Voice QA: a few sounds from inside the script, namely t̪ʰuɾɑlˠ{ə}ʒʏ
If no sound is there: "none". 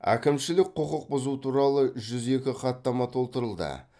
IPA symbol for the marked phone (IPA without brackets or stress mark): ə